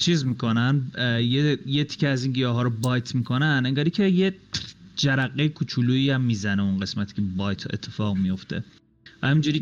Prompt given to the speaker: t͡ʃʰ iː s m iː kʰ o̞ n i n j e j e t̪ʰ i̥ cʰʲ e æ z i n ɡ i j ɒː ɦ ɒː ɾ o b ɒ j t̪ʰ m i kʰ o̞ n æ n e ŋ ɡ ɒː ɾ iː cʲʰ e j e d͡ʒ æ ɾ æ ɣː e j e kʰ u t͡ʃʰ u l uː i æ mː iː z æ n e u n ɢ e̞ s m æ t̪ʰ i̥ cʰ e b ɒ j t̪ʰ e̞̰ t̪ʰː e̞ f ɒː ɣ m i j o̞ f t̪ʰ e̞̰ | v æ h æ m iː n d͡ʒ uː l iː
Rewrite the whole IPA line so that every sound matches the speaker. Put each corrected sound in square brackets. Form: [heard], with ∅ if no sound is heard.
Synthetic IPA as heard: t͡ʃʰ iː [z] m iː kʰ o̞ n [æ] n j e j e t̪ʰ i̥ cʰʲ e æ z i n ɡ i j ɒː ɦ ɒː ɾ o b ɒ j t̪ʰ m i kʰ o̞ n æ n e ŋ ɡ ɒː ɾ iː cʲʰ e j e d͡ʒ æ ɾ æ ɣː e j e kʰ u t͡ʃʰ u l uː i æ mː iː z æ n e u n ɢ e̞ s m æ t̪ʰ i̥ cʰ e b ɒ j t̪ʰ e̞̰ t̪ʰː e̞ f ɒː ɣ m i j o̞ f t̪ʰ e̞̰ | v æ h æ m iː n d͡ʒ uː [ɾ] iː